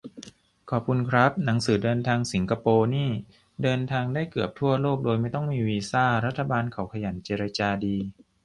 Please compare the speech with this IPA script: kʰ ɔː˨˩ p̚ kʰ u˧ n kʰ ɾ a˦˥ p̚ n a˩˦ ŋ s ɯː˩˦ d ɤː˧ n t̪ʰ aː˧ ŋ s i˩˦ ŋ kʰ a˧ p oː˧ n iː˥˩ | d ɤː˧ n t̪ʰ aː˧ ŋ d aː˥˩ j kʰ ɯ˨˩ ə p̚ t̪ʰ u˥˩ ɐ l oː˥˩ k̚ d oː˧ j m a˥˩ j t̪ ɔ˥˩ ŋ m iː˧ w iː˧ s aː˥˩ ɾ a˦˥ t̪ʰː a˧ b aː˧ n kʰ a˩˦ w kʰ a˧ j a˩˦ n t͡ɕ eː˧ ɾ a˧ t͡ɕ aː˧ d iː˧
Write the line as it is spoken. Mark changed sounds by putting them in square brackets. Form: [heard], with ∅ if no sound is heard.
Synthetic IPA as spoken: kʰ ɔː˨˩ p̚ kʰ u˧ n kʰ ɾ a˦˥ p̚ n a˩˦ ŋ s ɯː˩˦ d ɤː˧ n t̪ʰ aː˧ ŋ s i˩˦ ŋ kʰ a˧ p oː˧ n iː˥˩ | d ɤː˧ n t̪ʰ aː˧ ŋ d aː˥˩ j [k] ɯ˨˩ ə p̚ t̪ʰ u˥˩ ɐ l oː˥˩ k̚ d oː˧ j m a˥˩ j t̪ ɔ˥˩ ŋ m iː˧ w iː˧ s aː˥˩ ɾ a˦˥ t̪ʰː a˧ b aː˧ n kʰ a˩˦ w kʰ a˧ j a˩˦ n t͡ɕ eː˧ ɾ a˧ t͡ɕ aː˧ d iː˧